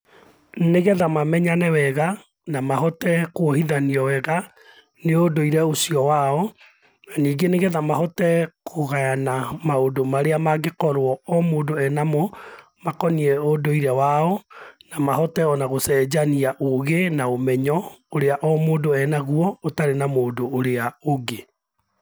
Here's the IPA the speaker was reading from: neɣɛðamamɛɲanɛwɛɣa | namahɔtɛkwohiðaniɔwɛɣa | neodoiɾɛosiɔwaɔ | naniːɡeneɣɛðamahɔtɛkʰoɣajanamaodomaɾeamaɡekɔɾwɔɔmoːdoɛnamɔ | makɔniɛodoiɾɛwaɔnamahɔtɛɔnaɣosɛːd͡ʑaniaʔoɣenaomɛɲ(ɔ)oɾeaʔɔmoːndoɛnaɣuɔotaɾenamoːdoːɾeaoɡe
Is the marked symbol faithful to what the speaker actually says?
yes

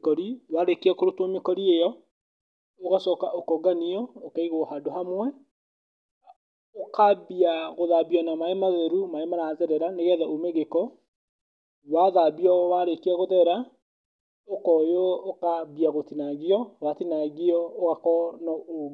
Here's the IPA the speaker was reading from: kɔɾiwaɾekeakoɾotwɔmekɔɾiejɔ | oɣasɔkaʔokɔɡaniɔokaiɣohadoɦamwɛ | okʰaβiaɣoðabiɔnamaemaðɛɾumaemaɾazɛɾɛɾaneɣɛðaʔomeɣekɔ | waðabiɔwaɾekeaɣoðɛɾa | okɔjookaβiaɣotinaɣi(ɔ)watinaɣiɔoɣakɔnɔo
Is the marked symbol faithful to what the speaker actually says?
yes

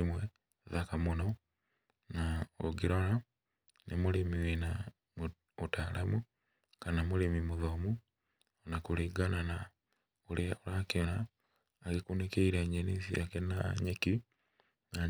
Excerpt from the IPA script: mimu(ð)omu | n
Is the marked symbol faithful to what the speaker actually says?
yes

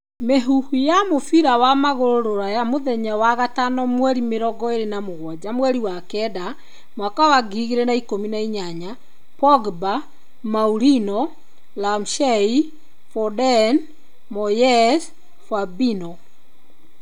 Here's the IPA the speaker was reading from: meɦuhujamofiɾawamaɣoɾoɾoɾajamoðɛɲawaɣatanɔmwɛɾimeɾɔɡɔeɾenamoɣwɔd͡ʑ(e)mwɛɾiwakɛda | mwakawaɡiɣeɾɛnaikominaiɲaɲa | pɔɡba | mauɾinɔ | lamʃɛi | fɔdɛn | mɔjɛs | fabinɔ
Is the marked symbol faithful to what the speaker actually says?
no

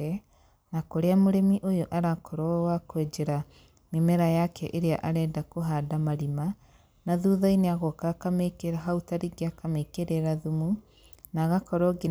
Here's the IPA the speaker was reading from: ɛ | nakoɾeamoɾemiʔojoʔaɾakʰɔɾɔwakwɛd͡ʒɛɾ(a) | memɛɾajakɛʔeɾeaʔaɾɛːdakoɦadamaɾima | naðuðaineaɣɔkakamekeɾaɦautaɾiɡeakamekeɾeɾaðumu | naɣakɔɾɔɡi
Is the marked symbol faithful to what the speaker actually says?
yes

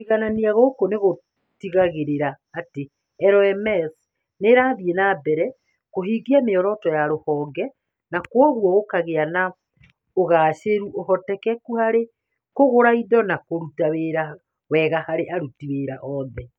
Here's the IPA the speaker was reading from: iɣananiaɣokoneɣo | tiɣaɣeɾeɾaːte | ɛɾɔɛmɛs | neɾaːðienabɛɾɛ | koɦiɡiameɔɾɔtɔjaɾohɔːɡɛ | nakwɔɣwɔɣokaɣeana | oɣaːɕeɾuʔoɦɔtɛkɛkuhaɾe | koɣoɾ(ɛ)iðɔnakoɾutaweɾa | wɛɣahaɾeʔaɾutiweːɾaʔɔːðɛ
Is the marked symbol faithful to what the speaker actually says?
no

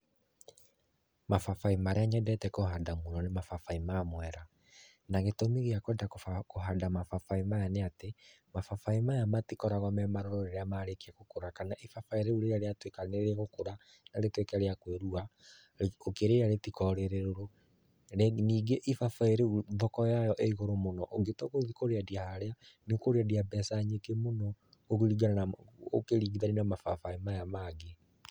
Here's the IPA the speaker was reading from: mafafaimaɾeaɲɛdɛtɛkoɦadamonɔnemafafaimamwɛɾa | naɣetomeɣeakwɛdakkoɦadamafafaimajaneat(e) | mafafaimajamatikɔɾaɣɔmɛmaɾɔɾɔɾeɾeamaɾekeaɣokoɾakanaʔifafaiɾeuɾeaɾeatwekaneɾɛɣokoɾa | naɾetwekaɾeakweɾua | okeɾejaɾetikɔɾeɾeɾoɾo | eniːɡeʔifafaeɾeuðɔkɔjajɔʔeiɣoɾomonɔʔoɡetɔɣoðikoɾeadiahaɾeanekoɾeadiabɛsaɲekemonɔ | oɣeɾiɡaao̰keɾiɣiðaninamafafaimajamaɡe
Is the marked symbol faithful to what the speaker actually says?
yes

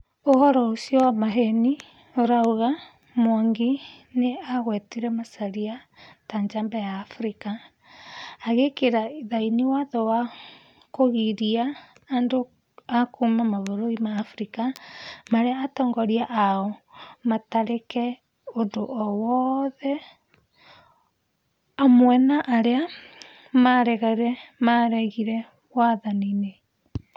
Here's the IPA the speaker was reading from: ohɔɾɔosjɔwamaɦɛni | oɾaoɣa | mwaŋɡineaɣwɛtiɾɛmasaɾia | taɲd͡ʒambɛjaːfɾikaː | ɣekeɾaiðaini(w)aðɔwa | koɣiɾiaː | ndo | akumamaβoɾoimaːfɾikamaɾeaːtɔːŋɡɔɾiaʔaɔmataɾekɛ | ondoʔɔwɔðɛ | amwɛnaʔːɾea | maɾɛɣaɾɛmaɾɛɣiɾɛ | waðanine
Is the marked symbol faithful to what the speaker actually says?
yes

